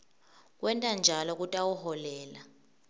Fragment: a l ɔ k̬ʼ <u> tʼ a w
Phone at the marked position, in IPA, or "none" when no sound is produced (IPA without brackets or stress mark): u